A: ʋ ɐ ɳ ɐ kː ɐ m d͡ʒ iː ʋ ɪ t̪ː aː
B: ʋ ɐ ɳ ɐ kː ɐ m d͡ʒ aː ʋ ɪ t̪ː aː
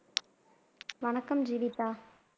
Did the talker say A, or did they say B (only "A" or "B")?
A